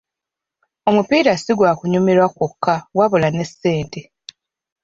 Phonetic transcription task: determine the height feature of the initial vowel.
mid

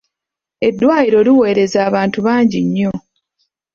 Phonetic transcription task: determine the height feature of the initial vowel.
mid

